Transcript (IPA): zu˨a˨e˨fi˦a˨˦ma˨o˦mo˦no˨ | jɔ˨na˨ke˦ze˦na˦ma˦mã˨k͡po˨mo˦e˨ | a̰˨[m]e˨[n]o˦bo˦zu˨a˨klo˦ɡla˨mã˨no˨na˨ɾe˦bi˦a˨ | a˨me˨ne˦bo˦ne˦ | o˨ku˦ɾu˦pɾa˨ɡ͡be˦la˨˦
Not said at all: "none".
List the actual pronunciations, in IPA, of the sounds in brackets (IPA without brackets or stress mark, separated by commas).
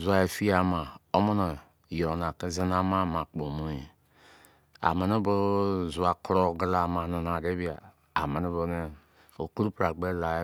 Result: m, n